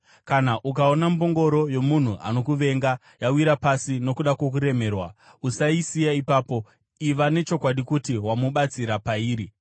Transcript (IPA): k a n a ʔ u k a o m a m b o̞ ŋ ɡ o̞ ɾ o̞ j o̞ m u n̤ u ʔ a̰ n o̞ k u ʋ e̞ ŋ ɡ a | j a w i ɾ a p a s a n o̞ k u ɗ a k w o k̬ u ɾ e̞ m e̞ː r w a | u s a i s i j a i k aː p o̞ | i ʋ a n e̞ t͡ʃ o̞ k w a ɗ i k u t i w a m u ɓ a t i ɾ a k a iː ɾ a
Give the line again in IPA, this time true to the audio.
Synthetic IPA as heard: k a n a ʔ u k a o n a m b o̞ ŋ ɡ o̞ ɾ o̞ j o̞ m u n̤ u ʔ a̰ n o̞ k u ʋ e̞ ŋ ɡ a | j a w i ɾ a p a s i n o̞ k u ɗ a k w o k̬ u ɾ e̞ m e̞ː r w a | u s a i s i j a i p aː p o̞ | i ʋ a n e̞ t͡ʃ o̞ k w a ɗ i k u t i w a m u ɓ a t͡s i ɾ a p a iː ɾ i